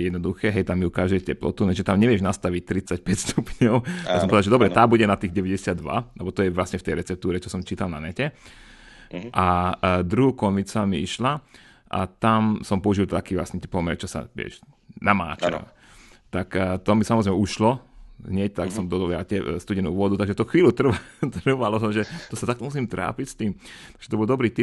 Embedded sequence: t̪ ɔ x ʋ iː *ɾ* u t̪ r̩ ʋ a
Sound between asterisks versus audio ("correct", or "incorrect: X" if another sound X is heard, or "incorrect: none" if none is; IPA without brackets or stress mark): incorrect: l